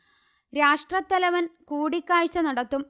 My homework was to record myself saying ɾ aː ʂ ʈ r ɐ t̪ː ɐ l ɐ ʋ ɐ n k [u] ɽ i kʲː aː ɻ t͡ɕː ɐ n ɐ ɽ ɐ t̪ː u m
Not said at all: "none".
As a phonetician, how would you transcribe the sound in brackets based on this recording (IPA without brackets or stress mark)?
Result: uː